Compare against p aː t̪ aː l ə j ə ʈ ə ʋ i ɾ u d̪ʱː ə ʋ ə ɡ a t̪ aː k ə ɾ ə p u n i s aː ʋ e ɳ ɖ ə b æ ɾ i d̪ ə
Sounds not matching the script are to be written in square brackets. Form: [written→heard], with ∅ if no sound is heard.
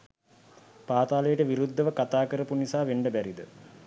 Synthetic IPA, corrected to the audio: p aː t̪ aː l ə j ə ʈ ə ʋ i ɾ u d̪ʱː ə ʋ ə [ɡ→k] a t̪ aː k ə ɾ ə p u n i s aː ʋ e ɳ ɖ ə b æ ɾ i d̪ ə